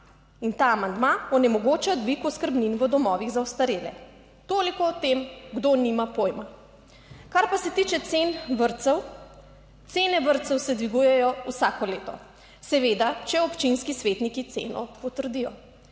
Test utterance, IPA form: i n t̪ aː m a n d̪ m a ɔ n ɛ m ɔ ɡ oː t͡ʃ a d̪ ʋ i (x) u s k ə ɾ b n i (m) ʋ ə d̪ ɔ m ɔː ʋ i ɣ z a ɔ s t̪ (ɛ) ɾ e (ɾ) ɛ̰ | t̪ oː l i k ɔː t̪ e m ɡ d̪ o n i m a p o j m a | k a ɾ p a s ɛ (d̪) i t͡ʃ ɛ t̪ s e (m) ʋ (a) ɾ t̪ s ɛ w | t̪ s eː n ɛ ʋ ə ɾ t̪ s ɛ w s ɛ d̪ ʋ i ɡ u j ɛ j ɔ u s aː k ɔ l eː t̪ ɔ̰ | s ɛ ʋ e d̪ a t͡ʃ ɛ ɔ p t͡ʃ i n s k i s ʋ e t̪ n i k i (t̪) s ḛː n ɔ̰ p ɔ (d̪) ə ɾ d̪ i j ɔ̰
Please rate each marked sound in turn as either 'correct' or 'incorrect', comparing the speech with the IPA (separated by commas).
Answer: incorrect, incorrect, incorrect, incorrect, incorrect, incorrect, incorrect, correct, incorrect